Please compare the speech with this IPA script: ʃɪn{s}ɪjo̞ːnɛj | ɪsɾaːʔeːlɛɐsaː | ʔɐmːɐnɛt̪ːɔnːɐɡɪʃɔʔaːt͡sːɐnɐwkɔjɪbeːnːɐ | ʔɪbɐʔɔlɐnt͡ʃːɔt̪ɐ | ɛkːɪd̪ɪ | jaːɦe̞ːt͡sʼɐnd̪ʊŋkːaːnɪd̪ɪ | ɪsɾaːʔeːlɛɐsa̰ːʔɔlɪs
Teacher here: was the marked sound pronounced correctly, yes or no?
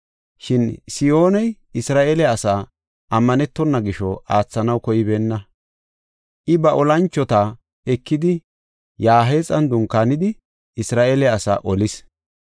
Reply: yes